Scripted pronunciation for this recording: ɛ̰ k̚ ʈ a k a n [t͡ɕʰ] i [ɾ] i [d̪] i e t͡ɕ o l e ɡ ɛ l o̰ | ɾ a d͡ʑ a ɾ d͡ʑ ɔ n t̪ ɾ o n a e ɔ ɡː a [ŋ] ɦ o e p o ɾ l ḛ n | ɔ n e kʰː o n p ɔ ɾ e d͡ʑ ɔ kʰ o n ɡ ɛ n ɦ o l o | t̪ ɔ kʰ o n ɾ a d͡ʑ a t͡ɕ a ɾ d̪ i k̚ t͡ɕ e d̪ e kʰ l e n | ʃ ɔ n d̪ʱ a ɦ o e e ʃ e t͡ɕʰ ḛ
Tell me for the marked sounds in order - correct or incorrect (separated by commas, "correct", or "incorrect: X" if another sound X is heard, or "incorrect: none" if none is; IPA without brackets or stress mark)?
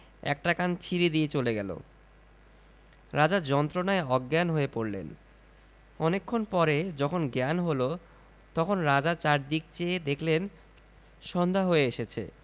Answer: correct, correct, correct, incorrect: n